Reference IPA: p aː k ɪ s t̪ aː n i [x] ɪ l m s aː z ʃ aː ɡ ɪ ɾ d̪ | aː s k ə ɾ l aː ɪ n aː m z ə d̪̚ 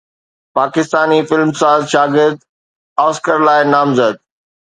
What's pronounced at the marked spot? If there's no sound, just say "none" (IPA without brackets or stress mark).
f